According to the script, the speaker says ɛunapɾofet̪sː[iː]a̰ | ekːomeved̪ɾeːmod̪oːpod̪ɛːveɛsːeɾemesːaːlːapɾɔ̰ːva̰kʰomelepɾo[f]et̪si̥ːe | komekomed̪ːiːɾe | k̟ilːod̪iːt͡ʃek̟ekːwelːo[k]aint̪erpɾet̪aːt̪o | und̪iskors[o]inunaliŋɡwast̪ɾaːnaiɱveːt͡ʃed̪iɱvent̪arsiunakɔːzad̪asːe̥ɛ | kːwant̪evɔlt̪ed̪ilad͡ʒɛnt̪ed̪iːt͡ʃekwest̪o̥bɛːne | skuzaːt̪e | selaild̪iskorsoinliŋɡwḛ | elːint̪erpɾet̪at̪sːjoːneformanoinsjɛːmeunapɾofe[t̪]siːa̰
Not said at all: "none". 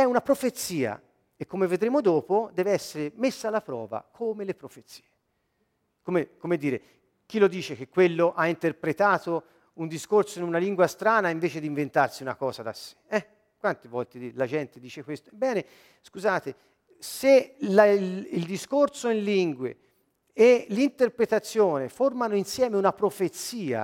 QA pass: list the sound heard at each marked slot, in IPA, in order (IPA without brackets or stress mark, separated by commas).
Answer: iː, f, ʔ, o, t̪